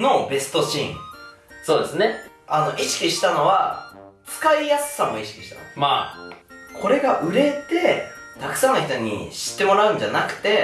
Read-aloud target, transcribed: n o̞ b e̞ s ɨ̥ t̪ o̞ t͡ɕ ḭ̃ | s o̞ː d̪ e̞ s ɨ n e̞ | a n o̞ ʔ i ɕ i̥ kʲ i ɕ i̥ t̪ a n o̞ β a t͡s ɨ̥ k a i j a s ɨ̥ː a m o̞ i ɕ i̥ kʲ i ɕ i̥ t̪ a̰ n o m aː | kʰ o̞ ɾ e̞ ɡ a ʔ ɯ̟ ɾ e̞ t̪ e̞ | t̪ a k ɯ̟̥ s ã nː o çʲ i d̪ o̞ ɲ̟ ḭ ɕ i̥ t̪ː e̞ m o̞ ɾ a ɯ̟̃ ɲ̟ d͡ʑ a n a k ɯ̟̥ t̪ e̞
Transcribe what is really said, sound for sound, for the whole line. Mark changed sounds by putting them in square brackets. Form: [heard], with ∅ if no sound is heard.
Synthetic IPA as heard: n o̞ b e̞ s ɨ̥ t̪ o̞ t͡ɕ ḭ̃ | s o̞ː d̪ e̞ s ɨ n e̞ | a n o̞ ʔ i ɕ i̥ kʲ i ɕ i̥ t̪ a n o̞ β a t͡s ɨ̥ k a i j a s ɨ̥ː a m o̞ i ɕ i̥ kʲ i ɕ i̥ t̪ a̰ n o m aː | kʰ o̞ ɾ e̞ ɡ a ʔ ɯ̟ ɾ e̞ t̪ e̞ | t̪ a k ɯ̟̥ s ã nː o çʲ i [t̪] o̞ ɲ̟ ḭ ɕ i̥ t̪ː e̞ m o̞ ɾ a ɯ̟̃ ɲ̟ d͡ʑ a n a k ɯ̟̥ t̪ e̞